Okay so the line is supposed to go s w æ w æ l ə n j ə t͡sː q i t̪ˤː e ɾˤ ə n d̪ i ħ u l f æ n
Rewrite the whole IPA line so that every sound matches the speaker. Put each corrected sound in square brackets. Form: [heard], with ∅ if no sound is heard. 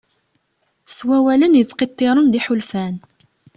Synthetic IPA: s w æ w æ l ə n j ə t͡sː q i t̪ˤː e ɾˤ ə n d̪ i ħ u l f æ n